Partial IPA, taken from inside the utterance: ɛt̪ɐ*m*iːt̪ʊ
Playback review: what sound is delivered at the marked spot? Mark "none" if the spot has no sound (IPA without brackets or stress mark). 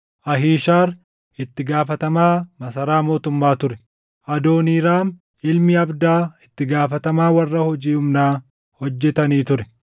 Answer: n